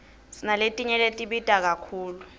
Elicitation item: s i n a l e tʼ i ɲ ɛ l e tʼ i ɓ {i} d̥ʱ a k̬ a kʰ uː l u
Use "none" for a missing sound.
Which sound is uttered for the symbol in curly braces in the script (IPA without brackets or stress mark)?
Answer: i